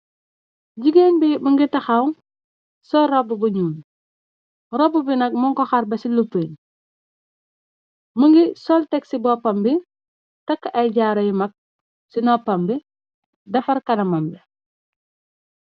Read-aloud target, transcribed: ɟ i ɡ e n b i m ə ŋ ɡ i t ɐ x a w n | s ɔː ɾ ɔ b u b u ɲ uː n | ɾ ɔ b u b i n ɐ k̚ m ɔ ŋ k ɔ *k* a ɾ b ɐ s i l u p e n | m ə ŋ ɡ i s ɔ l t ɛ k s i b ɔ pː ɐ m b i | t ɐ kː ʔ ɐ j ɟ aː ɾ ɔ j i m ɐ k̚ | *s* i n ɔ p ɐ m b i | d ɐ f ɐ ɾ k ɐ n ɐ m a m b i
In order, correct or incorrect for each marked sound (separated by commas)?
incorrect, correct